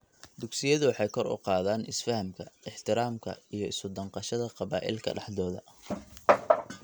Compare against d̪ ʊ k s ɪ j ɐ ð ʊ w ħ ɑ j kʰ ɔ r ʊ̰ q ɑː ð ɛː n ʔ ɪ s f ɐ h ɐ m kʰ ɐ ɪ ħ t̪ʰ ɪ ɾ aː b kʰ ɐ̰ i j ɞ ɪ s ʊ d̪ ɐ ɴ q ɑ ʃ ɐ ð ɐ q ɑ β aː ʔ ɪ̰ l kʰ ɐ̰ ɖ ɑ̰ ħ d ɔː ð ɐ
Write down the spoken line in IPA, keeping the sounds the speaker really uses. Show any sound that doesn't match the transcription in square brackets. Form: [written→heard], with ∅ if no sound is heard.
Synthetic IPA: d̪ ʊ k s ɪ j ɐ ð ʊ w ħ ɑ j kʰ ɔ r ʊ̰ q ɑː ð [ɛː→aː] n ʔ ɪ s f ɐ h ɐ m kʰ ɐ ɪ ħ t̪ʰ ɪ ɾ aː [b→m] kʰ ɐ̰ i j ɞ ɪ s ʊ d̪ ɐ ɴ q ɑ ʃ ɐ ð ɐ q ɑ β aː ʔ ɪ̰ l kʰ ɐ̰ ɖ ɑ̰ ħ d ɔː ð ɐ